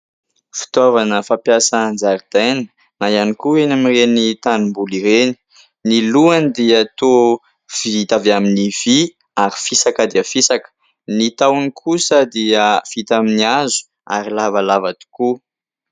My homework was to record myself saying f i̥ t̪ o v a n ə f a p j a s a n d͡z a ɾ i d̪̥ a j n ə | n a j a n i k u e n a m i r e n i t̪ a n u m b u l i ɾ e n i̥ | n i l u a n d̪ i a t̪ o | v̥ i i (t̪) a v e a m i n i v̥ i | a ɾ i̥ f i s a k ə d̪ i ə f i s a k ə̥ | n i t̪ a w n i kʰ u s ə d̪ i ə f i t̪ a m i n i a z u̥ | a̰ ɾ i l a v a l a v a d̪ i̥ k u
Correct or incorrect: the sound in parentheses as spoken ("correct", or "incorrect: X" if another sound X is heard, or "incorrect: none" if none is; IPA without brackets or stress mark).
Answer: correct